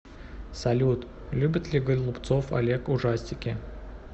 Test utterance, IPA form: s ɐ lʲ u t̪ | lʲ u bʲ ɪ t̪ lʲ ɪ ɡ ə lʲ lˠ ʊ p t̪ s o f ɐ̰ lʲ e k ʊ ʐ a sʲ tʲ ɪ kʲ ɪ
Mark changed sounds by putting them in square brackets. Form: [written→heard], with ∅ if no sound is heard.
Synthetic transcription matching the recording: s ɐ lʲ u t̪ | lʲ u bʲ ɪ t̪ lʲ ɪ ɡ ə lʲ lˠ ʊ p t̪ s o f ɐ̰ lʲ e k ʊ ʐ a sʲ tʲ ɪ kʲ ɪ